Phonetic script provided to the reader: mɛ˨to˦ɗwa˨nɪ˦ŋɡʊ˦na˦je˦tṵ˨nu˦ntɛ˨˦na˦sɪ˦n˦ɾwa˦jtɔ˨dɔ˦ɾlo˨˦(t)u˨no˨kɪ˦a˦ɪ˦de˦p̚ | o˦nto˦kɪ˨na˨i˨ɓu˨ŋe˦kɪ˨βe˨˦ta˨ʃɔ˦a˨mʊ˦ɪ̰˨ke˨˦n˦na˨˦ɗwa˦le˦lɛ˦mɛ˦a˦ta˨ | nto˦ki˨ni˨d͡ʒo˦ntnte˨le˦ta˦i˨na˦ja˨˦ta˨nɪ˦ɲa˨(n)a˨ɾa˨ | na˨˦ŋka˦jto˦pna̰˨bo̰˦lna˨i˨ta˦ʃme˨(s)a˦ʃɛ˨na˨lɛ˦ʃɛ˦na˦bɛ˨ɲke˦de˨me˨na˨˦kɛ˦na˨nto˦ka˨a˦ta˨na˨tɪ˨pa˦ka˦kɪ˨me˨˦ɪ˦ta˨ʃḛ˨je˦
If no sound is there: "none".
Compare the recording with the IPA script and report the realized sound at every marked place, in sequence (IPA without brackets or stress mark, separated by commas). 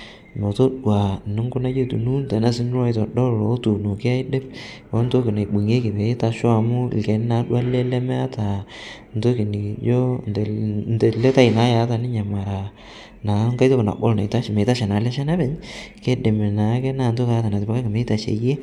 t, m, t